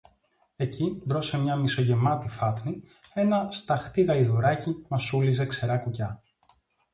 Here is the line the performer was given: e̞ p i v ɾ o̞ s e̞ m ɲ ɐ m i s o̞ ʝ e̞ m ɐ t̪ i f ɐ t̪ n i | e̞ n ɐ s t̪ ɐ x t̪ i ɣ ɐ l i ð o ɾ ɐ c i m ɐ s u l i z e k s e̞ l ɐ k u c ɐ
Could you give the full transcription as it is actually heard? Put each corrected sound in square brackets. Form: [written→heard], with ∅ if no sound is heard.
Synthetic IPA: e̞ [p→c] i v ɾ o̞ s e̞ m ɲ ɐ m i s o̞ ʝ e̞ m ɐ t̪ i f ɐ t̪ n i | e̞ n ɐ s t̪ ɐ x t̪ i ɣ ɐ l i ð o ɾ ɐ c i m ɐ s u l i z e k s e̞ [l→ɾ] ɐ k u c ɐ